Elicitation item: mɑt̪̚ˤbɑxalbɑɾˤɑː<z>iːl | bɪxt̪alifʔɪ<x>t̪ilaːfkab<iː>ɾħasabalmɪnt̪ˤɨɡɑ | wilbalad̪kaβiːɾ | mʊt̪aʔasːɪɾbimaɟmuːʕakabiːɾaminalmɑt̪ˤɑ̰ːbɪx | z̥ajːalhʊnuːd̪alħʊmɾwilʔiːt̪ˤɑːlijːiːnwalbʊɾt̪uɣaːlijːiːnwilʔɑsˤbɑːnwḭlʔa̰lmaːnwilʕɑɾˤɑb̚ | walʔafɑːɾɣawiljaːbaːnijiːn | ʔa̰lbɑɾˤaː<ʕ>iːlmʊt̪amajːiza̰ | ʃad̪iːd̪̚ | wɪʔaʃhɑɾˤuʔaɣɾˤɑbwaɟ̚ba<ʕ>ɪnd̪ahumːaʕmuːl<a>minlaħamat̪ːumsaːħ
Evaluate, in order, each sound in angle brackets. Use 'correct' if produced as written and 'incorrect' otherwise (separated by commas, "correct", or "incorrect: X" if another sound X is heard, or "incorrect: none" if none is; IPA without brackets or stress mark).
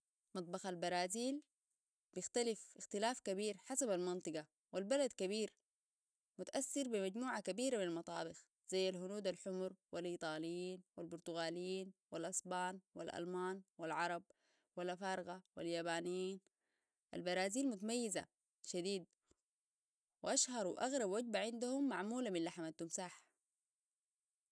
correct, correct, correct, incorrect: z, correct, correct